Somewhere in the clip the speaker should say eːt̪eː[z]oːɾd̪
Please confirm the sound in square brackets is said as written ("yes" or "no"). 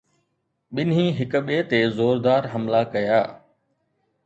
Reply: yes